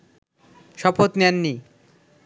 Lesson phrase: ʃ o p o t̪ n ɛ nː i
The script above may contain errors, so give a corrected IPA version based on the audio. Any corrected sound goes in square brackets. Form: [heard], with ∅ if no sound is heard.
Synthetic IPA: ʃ [ɔ] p o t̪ n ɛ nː i